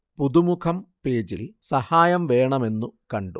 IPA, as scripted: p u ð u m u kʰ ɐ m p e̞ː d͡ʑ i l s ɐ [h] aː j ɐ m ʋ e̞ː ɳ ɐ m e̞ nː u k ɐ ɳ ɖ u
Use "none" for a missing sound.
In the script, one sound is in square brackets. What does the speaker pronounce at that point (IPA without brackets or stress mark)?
h